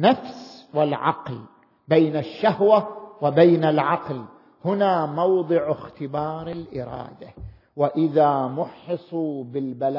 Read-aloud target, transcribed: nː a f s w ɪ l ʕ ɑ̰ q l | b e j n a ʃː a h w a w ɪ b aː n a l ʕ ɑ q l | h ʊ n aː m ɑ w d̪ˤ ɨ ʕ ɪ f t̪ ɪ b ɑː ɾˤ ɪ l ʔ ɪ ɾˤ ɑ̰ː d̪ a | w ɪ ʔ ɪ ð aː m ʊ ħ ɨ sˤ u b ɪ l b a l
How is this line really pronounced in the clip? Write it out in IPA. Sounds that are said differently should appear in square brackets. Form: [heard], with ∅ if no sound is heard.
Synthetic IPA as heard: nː a f s w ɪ l ʕ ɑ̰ q l | b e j n a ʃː a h w a w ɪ b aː n a l ʕ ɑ q l | h ʊ n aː m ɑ w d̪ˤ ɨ ʕ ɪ [x] t̪ ɪ b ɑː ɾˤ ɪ l ʔ ɪ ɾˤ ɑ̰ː d̪ a | w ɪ ʔ ɪ ð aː m ʊ ħ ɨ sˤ u b ɪ l b a l